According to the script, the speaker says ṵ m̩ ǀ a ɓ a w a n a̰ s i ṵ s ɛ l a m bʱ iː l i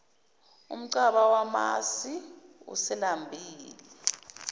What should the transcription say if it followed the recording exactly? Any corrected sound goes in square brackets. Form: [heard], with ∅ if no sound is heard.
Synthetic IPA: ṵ m̩ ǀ a ɓ a w a [m] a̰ s i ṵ s ɛ l a m bʱ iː l i

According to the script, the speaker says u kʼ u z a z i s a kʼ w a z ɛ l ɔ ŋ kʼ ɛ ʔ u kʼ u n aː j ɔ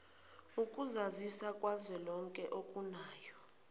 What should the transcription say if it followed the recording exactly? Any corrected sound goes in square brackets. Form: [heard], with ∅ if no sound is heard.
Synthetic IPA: u kʼ u z a z i s a kʼ w a z ɛ l ɔ ŋ kʼ ɛ ʔ [o] kʼ u n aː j ɔ

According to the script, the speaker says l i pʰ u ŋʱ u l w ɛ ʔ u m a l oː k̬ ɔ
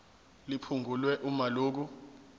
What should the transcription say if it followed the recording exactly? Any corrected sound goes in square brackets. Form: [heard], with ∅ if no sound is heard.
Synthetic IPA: l i pʰ u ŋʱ u l w ɛ ʔ u m a l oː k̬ [u]

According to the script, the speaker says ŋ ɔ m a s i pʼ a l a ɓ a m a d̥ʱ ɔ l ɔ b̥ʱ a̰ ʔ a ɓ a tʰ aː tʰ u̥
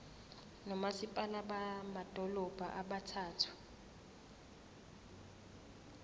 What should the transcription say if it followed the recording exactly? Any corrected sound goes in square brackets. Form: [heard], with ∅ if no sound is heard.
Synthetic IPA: [n] ɔ m a s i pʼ a l a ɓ a m a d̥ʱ ɔ l ɔ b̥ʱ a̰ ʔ a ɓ a tʰ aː tʰ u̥

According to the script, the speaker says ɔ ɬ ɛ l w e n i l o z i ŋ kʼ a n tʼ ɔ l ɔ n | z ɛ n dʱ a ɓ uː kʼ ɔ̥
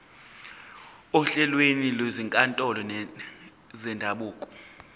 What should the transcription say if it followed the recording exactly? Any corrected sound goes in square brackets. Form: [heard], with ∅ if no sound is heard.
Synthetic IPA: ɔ ɬ ɛ l w e n i l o z i ŋ kʼ a n tʼ ɔ l ɔ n | z ɛ n dʱ a ɓ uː kʼ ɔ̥

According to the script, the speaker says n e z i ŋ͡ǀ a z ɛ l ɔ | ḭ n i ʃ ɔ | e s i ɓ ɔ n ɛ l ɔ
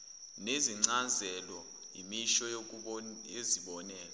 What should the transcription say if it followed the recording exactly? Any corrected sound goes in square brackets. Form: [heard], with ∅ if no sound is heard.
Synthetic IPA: n e z i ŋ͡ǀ a z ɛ l ɔ | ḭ [m] i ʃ ɔ | e [z] i ɓ ɔ n [ɛː] l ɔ

